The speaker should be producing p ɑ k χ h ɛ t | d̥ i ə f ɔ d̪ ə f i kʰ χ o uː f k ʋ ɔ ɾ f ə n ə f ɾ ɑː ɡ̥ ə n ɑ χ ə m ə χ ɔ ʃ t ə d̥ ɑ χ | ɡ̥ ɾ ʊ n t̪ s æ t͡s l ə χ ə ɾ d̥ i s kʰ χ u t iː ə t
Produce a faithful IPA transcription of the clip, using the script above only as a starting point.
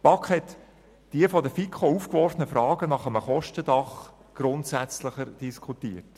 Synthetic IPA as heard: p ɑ k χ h ɛ t | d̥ i ə f ɔ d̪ ə f i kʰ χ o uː f k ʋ ɔ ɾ f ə n ə f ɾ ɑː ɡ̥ ə n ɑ χ ə m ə χ ɔ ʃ t ə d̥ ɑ χ | ɡ̥ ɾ ʊ n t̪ s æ t͡s l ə χ ə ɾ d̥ i s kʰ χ u t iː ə t